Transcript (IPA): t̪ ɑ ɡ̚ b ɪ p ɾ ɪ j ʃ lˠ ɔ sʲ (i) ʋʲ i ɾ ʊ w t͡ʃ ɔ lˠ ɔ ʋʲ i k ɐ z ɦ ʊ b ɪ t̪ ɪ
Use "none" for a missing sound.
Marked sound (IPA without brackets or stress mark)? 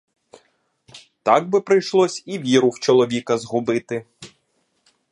i